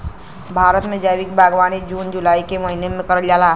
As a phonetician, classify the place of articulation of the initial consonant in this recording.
labial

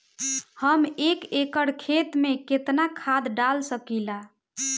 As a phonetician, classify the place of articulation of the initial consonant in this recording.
glottal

